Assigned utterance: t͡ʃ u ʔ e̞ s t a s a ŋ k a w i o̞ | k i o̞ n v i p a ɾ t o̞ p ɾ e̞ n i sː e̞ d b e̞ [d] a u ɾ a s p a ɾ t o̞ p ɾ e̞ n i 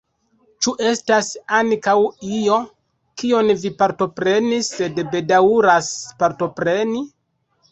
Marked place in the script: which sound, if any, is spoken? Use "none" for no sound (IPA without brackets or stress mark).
d